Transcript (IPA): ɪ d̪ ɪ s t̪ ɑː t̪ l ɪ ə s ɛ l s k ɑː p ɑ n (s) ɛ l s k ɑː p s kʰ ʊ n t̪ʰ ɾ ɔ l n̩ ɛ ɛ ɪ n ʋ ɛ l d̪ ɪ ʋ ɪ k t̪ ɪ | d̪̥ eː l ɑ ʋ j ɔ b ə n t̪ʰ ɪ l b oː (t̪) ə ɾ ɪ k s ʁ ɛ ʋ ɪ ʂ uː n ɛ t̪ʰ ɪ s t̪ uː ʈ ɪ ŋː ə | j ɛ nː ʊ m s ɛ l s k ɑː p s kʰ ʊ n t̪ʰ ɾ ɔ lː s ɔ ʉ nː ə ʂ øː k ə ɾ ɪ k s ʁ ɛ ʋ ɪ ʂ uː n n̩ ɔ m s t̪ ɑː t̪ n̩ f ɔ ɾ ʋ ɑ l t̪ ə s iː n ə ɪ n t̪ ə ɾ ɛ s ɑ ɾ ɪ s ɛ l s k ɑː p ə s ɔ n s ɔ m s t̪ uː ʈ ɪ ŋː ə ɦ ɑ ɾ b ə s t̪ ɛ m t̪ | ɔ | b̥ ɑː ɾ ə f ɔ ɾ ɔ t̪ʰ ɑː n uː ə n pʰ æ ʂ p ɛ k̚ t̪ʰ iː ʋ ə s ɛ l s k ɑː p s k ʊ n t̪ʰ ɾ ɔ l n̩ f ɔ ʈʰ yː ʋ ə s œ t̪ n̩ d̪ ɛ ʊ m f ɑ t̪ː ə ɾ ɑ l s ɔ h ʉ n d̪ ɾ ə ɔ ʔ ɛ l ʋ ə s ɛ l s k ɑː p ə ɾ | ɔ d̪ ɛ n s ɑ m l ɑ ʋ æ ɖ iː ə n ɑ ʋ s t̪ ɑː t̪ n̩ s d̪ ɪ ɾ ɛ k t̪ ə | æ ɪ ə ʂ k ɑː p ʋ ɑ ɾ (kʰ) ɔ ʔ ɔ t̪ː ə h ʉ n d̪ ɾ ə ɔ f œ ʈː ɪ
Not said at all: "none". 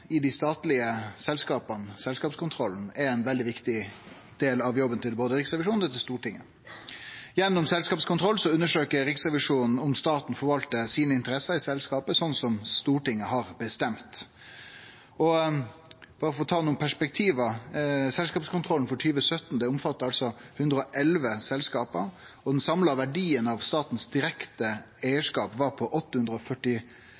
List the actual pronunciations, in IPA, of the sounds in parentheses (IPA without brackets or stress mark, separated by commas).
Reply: s, d̪, pʰ